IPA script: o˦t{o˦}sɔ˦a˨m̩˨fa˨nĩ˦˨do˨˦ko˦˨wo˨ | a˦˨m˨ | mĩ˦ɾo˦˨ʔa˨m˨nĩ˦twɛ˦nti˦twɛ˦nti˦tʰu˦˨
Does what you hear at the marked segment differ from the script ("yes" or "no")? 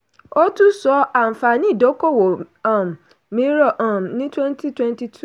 yes